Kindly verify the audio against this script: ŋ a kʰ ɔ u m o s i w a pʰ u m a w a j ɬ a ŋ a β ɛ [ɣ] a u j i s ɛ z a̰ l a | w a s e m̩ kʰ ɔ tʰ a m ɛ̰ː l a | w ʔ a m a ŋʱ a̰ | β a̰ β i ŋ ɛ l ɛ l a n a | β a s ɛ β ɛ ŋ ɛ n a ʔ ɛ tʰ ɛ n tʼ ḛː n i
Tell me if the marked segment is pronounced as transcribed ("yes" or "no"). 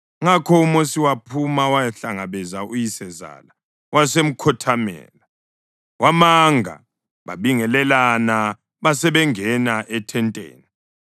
no